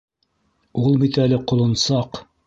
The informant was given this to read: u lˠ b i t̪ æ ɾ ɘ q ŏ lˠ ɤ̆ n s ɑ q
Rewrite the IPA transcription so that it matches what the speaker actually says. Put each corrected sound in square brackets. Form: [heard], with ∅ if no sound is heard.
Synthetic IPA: u lˠ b i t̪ æ [l] ɘ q ŏ lˠ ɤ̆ n s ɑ q

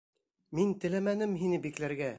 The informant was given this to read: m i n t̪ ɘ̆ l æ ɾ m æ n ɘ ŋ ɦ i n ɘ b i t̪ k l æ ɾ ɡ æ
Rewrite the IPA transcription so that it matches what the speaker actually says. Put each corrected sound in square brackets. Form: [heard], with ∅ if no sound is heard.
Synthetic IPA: m i n t̪ ɘ̆ l æ [∅] m æ n ɘ [m] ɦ i n ɘ b i [∅] k l æ ɾ ɡ æ

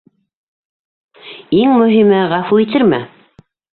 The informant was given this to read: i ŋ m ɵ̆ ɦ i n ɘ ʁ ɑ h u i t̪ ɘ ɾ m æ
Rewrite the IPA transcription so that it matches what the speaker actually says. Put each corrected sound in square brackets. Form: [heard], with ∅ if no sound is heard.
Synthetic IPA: i ŋ m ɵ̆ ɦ i [m] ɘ ʁ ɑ [f] u i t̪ ɘ ɾ m æ

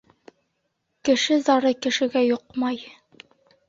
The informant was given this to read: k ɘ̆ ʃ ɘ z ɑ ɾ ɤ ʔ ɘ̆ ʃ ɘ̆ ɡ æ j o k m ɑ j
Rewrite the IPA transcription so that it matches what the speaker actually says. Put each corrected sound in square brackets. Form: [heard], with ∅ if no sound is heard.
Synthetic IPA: k ɘ̆ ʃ ɘ z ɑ ɾ ɤ [k] ɘ̆ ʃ ɘ̆ ɡ æ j o [q] m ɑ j

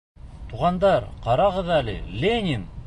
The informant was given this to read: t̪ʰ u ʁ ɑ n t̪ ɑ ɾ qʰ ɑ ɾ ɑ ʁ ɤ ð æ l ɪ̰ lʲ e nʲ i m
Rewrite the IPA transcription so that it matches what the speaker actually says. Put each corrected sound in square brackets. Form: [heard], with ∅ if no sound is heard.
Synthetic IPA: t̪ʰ u ʁ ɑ n [d̪] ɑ ɾ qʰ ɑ ɾ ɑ ʁ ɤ ð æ l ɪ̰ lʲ e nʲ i [n]

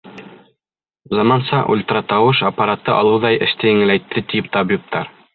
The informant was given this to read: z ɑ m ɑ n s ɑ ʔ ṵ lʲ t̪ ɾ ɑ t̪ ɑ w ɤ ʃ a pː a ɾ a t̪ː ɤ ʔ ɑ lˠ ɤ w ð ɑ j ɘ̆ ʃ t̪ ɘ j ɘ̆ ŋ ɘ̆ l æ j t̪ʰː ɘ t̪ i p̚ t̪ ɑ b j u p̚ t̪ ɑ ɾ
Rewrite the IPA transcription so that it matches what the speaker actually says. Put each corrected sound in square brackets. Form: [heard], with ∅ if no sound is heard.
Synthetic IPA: z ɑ m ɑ n s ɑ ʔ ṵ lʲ t̪ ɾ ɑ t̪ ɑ w ɤ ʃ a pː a ɾ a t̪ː ɤ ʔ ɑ lˠ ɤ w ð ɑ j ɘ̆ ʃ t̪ ɘ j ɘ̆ ŋ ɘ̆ l æ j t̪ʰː ɘ t̪ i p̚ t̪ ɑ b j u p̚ t̪ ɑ ɾ

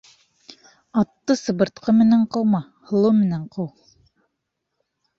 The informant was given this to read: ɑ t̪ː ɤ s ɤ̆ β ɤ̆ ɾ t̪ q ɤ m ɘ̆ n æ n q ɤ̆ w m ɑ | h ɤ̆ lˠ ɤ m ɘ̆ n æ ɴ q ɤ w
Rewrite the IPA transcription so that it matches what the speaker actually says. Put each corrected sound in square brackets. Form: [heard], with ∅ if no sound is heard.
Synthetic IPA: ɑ t̪ː ɤ s ɤ̆ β ɤ̆ ɾ t̪ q ɤ m ɘ̆ n æ [ɴ] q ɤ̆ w m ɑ | h ɤ̆ lˠ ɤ m ɘ̆ n æ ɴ q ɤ w

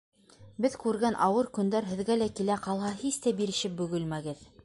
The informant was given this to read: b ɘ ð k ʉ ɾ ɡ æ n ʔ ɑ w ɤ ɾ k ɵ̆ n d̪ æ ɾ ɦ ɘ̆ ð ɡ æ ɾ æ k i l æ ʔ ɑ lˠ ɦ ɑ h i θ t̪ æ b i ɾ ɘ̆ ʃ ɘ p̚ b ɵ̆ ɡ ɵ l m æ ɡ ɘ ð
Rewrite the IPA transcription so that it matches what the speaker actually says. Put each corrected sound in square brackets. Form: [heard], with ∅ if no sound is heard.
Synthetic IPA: b ɘ ð k ʉ ɾ ɡ æ n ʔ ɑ w ɤ ɾ k ɵ̆ n d̪ æ ɾ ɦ ɘ̆ ð ɡ æ [l] æ k i l æ [q] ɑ lˠ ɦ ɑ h i [s] t̪ æ b i ɾ ɘ̆ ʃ ɘ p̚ b ɵ̆ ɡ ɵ l m æ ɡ ɘ ð

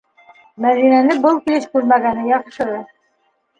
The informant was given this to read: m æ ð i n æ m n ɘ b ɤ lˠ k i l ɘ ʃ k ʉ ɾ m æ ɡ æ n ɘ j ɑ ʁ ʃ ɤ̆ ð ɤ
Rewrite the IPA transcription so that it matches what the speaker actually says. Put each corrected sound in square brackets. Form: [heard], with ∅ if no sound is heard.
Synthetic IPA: m æ ð i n æ [∅] n ɘ b ɤ lˠ k i l ɘ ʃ k ʉ ɾ m æ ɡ æ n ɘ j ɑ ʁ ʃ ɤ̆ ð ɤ

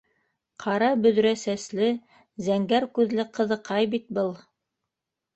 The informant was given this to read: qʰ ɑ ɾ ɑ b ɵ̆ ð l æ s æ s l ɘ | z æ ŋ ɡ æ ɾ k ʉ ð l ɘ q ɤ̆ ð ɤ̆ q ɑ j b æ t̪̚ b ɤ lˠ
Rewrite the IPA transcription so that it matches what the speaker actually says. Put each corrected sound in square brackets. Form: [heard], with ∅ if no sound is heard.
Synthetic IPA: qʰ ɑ ɾ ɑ b ɵ̆ ð [ɾ] æ s æ s l ɘ | z æ ŋ ɡ æ ɾ k ʉ ð l ɘ q ɤ̆ ð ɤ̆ q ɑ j b [i] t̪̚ b ɤ lˠ

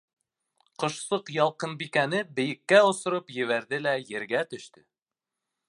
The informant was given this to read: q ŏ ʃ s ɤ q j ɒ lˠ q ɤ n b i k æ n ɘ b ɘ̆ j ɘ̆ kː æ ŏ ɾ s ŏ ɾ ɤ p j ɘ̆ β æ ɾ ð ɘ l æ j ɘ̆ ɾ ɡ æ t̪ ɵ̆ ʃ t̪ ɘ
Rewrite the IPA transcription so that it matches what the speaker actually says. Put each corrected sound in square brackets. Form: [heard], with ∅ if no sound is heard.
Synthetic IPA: q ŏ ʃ s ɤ q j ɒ lˠ q ɤ n b i k æ n ɘ b ɘ̆ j ɘ̆ kː æ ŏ [∅] s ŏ ɾ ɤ p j ɘ̆ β æ ɾ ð ɘ l æ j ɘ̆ ɾ ɡ æ t̪ ɵ̆ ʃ t̪ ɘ

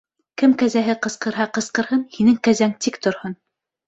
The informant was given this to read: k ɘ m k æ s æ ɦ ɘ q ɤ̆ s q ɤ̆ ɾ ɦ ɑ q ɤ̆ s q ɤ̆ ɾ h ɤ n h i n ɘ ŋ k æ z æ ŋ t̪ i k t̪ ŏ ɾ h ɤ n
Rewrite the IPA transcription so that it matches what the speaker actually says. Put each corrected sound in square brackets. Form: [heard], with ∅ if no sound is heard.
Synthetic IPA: k ɘ m k æ [z] æ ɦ ɘ q ɤ̆ s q ɤ̆ ɾ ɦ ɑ q ɤ̆ s q ɤ̆ ɾ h ɤ n h i n ɘ ŋ k æ z æ ŋ t̪ i k t̪ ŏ ɾ h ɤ n

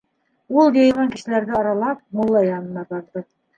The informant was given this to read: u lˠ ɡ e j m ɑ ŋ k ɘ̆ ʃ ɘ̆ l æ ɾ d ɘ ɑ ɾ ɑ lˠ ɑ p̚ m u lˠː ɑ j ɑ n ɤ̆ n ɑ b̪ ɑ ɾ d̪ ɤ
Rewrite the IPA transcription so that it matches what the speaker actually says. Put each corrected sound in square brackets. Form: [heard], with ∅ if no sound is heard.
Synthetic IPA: u lˠ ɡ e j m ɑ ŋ k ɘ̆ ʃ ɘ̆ l æ ɾ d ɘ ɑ ɾ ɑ lˠ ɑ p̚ m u lˠː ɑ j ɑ n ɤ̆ n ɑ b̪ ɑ ɾ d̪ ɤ

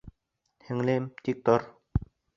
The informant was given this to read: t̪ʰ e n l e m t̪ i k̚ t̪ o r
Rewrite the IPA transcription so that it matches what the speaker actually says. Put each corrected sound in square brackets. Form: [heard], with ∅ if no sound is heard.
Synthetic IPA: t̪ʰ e [ŋ] l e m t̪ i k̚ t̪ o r

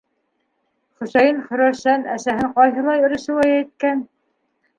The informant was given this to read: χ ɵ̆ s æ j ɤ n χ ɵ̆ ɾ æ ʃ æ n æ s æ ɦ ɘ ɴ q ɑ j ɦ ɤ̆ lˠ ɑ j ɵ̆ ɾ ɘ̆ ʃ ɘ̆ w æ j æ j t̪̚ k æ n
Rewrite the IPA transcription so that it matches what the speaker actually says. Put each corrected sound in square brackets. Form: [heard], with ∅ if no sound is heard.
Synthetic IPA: χ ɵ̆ s æ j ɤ n χ ɵ̆ ɾ æ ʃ æ n æ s æ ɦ ɘ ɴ q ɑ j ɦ ɤ̆ lˠ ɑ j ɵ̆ ɾ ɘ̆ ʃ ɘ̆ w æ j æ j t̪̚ k æ n

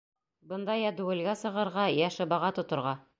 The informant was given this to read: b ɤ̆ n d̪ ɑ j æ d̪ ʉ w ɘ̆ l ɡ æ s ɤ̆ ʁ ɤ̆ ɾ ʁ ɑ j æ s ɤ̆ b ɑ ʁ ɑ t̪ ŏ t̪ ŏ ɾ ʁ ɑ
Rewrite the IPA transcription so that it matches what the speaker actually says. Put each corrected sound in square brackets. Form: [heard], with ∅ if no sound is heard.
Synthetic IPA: b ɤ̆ n d̪ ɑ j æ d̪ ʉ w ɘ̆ l ɡ æ s ɤ̆ ʁ ɤ̆ ɾ ʁ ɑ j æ [ʃ] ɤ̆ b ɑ ʁ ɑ t̪ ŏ t̪ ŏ ɾ ʁ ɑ

